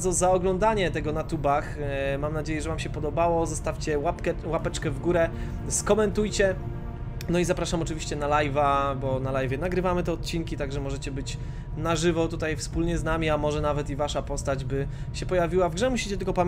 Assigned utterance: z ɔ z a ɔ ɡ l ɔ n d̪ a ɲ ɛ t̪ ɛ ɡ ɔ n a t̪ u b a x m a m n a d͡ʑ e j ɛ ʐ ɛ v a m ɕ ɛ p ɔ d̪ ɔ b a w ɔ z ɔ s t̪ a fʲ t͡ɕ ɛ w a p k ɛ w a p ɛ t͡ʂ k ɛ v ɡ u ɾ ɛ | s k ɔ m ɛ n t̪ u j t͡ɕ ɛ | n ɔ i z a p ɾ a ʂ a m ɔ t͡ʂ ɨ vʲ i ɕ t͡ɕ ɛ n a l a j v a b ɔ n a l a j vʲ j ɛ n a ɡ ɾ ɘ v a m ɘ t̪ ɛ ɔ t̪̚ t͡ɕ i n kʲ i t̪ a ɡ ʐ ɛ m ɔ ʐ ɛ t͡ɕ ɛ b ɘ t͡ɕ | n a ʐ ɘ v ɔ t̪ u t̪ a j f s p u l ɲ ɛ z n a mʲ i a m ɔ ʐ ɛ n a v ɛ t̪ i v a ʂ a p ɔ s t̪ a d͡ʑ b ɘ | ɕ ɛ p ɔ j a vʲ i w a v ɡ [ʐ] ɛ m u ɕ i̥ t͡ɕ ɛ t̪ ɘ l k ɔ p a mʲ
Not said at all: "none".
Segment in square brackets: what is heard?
ʐ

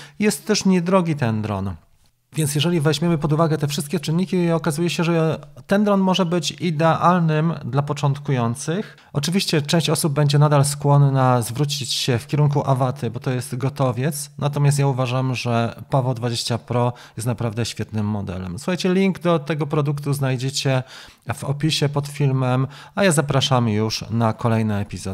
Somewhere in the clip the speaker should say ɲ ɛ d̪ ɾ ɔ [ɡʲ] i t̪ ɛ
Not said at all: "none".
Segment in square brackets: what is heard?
ɡʲ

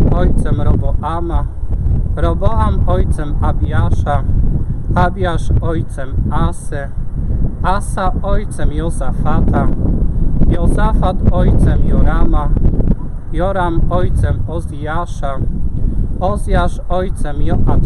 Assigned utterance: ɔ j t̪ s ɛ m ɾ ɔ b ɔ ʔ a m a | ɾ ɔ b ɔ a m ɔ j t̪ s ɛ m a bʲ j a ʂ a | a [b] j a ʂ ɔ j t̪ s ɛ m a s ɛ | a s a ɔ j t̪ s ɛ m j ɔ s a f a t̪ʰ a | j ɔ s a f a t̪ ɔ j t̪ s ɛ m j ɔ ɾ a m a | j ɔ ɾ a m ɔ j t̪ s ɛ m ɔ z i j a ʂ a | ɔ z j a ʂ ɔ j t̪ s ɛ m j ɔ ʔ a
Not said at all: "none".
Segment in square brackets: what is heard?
b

